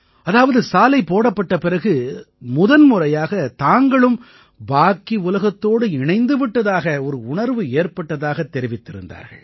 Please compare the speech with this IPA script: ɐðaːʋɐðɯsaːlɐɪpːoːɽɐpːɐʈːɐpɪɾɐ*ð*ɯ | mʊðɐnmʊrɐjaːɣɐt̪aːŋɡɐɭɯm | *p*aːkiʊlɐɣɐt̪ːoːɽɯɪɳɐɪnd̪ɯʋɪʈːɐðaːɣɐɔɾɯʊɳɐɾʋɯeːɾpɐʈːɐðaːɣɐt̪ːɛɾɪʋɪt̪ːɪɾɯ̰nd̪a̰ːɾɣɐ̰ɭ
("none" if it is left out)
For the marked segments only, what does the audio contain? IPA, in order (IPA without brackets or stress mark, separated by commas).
ɣ, b